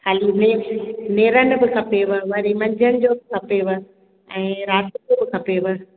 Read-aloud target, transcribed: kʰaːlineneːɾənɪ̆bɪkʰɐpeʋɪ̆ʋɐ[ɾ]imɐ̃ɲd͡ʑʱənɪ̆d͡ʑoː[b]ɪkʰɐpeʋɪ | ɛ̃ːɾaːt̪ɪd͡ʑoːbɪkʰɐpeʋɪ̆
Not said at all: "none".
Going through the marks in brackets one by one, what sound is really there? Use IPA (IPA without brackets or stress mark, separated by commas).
ɾ, b